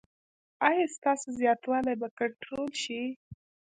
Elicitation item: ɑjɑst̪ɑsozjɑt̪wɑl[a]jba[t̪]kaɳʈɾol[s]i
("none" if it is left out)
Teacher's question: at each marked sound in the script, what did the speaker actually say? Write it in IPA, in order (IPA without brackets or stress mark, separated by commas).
a, none, ʃ